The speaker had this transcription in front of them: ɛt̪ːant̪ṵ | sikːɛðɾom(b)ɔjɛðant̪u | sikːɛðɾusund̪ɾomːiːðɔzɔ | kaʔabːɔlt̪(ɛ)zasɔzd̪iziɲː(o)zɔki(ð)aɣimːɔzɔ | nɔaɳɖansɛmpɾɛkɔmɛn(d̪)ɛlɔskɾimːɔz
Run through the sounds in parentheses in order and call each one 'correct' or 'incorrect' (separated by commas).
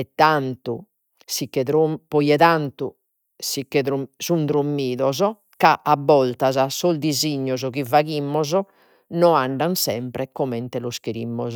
incorrect, incorrect, incorrect, incorrect, incorrect